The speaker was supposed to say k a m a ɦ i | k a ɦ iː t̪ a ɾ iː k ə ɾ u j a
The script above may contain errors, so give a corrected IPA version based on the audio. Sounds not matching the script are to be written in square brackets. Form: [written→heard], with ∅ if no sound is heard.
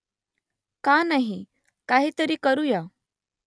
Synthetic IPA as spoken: k a [m→n] a ɦ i | k a ɦ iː t̪ [a→ə] ɾ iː k ə ɾ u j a